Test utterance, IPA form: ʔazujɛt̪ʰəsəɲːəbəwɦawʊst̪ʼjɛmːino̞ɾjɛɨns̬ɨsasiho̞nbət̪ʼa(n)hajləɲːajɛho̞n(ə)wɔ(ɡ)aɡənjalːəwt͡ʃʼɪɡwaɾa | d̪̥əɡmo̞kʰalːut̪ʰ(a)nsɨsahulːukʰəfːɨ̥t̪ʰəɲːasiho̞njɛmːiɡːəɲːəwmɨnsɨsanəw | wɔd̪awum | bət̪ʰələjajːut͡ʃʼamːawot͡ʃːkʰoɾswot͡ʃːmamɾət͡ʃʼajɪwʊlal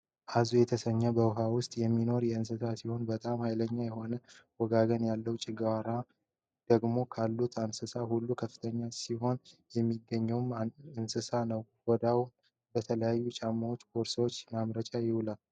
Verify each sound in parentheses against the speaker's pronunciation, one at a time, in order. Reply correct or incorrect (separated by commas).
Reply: incorrect, correct, correct, correct